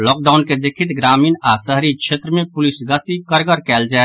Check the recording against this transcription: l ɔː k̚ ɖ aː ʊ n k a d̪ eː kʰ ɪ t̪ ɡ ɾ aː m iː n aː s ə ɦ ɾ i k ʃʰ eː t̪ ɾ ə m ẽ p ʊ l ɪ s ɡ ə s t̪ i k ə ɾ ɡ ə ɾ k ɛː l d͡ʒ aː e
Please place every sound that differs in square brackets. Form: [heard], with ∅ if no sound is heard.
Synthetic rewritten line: l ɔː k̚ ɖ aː ʊ n k [e] d̪ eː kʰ ɪ t̪ ɡ ɾ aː m iː n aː s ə ɦ ɾ i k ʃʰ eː t̪ ɾ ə m ẽ p ʊ l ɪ s ɡ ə s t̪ i k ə ɾ ɡ ə ɾ k ɛː l d͡ʒ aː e